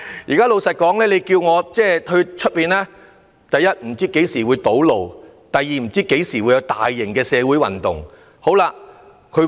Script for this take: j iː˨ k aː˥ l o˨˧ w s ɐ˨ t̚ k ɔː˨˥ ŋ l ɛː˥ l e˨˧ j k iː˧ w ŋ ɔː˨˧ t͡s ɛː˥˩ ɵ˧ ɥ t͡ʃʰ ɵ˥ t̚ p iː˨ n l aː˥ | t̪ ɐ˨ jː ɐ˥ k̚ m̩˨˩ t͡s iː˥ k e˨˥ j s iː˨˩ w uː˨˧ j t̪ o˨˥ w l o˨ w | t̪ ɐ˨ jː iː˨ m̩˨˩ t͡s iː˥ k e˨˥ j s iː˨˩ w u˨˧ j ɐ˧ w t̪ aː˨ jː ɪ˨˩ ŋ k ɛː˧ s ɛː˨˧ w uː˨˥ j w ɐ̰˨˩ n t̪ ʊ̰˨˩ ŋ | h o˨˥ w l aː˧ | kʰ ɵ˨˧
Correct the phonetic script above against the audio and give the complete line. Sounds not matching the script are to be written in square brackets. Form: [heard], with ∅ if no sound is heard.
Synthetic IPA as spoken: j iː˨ k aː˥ l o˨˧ w s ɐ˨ t̚ k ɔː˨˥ ŋ l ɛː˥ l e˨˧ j k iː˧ w ŋ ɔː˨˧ t͡s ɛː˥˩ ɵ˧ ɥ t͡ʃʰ ɵ˥ t̚ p iː˨ n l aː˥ | t̪ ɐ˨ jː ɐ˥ [t̚] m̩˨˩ t͡s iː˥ k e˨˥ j s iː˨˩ w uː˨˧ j t̪ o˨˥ w l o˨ w | t̪ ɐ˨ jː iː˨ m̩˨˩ t͡s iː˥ k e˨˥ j s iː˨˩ w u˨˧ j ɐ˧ w t̪ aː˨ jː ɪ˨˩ ŋ k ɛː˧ s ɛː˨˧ w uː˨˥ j w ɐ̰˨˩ n t̪ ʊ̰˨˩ ŋ | h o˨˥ w l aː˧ | kʰ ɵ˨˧